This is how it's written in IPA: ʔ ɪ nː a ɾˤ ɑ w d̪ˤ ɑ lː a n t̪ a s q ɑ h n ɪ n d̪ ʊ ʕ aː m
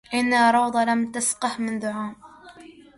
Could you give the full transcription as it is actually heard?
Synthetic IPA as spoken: ʔ ɪ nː a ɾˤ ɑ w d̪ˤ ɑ l a m t̪ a s q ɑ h m ɪ n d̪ ʊ ʕ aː m